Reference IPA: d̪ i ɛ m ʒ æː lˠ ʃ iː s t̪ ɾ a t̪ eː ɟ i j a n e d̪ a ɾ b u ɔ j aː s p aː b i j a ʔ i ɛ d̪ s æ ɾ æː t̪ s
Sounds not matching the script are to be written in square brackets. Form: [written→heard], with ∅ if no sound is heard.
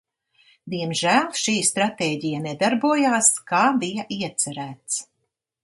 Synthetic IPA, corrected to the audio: d̪ i ɛ m ʒ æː lˠ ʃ iː s t̪ ɾ a t̪ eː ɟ i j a n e d̪ a ɾ b u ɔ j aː s [p→k] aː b i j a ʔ i ɛ [d̪→t̪] s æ ɾ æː t̪ s